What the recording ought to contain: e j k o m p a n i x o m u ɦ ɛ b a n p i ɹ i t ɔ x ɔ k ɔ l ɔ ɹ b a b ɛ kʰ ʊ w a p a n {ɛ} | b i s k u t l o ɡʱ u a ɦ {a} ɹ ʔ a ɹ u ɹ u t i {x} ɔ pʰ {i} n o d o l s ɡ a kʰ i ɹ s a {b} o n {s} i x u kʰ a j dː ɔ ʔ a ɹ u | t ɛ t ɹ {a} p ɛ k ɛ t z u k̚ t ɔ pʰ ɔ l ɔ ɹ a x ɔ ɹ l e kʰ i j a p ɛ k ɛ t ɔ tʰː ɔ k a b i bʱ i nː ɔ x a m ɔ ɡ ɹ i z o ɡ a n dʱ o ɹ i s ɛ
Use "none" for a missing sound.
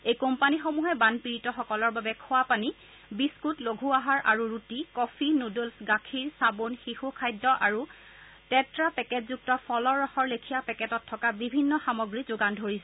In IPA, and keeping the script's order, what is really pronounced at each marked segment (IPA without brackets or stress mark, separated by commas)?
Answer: i, a, k, i, b, x, a